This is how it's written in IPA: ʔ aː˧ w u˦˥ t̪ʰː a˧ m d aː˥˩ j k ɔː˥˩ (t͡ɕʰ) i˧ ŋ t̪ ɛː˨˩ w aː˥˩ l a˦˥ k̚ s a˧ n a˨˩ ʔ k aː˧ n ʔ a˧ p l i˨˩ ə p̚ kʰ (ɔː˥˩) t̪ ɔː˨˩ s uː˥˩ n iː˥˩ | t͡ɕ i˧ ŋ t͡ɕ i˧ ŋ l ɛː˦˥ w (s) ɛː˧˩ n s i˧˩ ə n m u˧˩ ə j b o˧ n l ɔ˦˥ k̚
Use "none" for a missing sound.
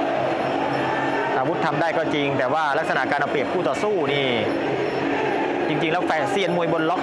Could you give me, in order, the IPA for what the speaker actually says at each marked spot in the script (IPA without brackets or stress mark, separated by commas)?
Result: t͡ɕ, uː˥˩, f